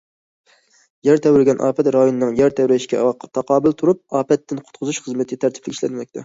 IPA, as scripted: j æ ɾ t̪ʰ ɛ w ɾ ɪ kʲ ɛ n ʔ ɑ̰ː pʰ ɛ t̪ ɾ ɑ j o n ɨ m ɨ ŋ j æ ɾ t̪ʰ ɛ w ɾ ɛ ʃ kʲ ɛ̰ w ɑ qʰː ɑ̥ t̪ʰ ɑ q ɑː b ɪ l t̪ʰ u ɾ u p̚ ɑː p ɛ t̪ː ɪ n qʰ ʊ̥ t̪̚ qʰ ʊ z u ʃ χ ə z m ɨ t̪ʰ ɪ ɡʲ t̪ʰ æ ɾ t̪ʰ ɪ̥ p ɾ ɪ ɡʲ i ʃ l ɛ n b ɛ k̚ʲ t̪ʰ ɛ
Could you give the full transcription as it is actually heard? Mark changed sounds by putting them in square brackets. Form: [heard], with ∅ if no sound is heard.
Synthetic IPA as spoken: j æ ɾ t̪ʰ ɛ w ɾ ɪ [ɡʲ] ɛ n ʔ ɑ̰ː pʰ ɛ t̪ ɾ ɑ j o n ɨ [n] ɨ ŋ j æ ɾ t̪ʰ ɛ w ɾ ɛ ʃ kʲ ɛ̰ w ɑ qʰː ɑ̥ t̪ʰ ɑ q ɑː b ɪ l t̪ʰ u ɾ u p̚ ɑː p ɛ t̪ː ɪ n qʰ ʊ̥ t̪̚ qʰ ʊ z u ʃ χ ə z m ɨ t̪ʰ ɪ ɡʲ t̪ʰ æ ɾ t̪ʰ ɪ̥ p [l] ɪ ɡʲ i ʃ l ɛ n [m] ɛ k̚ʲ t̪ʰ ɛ